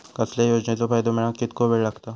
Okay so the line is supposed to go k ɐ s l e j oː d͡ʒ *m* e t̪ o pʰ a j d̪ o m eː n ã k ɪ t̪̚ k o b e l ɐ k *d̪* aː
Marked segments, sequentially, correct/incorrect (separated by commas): incorrect, incorrect